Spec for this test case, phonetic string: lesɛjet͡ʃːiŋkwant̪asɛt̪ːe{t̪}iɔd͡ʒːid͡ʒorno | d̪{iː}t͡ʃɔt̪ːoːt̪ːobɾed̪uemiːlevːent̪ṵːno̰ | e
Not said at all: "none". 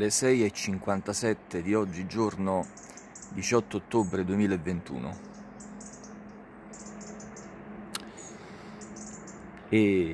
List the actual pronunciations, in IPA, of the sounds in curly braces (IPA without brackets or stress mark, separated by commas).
d̪, i